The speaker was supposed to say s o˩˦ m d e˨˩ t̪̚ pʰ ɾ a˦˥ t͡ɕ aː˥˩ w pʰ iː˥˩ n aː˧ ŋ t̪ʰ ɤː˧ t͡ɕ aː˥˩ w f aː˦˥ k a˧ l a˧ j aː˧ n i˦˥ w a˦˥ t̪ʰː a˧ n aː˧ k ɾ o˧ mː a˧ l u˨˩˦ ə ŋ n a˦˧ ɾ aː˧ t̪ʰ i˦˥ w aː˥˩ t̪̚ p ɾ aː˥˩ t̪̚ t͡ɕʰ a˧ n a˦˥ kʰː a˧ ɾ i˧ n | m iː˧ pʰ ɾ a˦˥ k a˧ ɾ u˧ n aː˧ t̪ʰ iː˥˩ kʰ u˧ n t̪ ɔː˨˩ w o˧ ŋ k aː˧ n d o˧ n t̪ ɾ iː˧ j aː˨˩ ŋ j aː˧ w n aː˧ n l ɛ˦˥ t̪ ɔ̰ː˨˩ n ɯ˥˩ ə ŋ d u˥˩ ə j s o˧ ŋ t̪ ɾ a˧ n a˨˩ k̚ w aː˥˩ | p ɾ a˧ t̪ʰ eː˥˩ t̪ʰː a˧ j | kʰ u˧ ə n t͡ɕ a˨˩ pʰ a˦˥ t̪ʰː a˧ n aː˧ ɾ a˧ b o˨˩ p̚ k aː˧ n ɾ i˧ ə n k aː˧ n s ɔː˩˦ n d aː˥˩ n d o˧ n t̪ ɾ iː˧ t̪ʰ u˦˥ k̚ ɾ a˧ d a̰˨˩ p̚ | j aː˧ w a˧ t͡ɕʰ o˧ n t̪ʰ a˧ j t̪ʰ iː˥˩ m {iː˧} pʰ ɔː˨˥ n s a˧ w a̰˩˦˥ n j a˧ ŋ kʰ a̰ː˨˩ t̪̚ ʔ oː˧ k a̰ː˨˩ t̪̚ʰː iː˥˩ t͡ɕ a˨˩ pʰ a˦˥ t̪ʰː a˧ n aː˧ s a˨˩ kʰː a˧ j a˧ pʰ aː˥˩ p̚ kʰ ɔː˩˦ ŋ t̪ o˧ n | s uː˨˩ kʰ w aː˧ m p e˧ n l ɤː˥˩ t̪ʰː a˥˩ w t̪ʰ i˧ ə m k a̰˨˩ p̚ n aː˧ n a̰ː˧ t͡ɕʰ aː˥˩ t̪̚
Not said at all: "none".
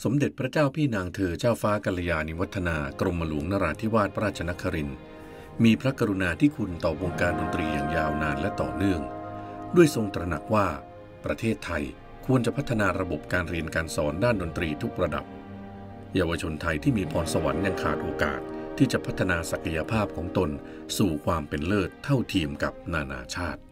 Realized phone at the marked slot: iː˧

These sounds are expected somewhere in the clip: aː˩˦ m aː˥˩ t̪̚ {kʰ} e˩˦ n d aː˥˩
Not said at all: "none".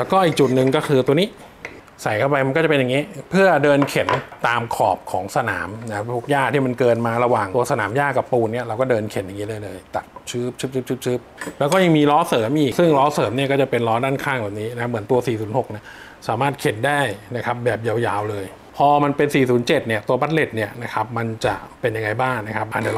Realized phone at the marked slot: kʰ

